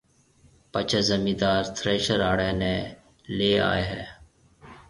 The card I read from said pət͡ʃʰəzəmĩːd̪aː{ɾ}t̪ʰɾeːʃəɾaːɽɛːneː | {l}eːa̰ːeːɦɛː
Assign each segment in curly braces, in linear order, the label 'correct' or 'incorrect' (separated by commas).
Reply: correct, correct